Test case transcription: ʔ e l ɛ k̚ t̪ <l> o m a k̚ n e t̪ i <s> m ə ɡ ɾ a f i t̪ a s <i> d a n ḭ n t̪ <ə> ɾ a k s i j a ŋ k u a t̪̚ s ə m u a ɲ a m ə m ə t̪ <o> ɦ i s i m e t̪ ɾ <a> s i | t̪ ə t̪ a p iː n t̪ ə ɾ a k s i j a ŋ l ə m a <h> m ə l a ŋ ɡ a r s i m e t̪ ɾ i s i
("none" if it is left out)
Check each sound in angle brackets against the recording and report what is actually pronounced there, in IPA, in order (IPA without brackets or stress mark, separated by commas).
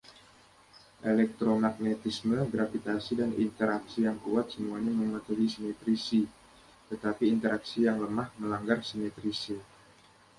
ɾ, s, i, ə, u, i, h